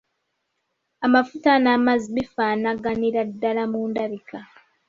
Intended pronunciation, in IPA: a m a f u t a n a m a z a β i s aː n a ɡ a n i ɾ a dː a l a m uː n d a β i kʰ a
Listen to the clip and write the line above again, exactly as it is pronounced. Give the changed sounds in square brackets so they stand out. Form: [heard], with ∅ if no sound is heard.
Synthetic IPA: a m a f u t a n a m a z [i] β i [f] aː n a ɡ a n i ɾ a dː a l a m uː n d a β i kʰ a

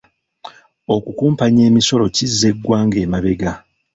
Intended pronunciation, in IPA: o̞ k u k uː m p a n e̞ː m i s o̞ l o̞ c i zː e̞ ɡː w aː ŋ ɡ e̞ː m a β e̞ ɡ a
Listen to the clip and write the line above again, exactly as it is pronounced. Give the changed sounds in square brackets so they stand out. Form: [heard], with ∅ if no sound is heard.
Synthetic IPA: o̞ k u k uː m p a [ɲ] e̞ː m i s o̞ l o̞ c i zː e̞ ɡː w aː ŋ ɡ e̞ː m a β e̞ ɡ a

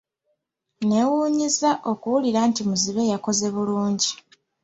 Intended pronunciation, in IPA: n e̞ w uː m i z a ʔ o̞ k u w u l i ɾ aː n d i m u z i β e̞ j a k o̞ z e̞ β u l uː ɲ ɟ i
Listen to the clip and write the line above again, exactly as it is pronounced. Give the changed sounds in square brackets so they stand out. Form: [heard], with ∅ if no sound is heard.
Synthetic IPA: n e̞ w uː [ɲ] i z a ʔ o̞ k u w u l i ɾ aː n [t] i m u z i β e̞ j a k o̞ z e̞ β u l uː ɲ ɟ i

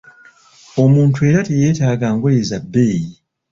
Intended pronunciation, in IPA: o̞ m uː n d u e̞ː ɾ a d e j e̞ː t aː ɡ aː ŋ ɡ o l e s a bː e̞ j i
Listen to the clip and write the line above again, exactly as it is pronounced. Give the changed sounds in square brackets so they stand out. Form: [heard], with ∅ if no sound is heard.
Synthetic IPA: o̞ m uː n [t] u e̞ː ɾ a [t] e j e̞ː t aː ɡ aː ŋ ɡ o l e [z] a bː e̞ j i

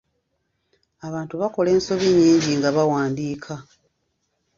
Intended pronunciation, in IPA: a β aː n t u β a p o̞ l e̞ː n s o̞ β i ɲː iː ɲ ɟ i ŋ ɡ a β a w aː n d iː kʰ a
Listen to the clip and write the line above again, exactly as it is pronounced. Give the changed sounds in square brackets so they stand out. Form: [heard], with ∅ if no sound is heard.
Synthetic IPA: a β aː n t u β a [k] o̞ l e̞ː n s o̞ β i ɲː iː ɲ ɟ i ŋ ɡ a β a w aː n d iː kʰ a

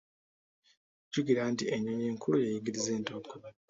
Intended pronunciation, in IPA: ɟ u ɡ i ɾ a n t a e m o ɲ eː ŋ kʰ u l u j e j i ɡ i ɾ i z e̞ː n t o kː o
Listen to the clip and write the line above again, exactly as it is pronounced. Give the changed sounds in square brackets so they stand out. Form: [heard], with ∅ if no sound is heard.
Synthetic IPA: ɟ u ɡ i ɾ a n t [i] e [ɲ] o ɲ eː ŋ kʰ u l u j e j i ɡ i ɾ i z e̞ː n t o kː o

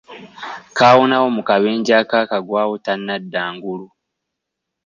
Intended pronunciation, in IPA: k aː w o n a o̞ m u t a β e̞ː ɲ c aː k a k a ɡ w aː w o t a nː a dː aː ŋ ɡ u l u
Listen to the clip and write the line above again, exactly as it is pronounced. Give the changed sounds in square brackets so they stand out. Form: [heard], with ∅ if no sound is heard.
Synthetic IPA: k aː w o n a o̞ m u [k] a β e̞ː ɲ [ɟ] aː k a k a ɡ w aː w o t a nː a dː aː ŋ ɡ u l u

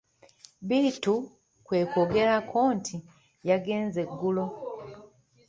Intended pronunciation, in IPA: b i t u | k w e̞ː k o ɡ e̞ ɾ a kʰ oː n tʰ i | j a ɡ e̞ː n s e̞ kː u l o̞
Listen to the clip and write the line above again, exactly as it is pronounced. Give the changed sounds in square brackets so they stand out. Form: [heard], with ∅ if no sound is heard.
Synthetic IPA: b i t u | k w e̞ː k o ɡ e̞ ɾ a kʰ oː n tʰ i | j a ɡ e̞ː n [z] e̞ [ɡː] u l o̞

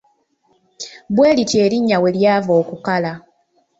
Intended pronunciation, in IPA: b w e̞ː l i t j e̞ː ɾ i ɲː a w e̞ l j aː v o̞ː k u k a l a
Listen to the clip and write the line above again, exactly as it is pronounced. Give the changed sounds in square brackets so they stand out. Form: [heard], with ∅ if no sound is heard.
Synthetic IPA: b w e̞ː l i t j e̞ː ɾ i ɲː a w e̞ l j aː v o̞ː k u k a l a

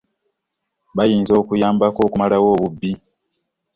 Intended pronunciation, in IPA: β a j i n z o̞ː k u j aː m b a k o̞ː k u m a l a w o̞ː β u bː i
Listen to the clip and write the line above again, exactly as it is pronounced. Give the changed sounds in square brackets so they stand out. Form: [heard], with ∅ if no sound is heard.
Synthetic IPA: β a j [iː] n z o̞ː k u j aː m b a k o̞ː k u m a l a w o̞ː β u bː i

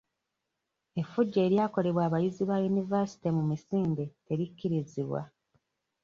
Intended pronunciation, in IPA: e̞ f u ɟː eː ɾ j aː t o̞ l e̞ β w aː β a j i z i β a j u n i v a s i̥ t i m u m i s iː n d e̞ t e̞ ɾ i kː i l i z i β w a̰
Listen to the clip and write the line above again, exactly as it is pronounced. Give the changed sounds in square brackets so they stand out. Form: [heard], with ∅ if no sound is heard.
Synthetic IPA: e̞ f u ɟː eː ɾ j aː [k] o̞ l e̞ β w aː β a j i z i β a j u n i v a s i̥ t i m u m i s iː n d e̞ t e̞ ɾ i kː i [ɾ] i z i β w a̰

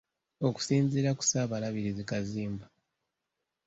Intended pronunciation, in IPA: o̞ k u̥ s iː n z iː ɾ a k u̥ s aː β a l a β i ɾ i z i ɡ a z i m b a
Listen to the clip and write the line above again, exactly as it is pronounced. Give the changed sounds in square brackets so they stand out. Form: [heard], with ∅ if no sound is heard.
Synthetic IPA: o̞ k u̥ s iː n z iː ɾ a k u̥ s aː β a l a β i ɾ i z i [k] a z [iː] m b a

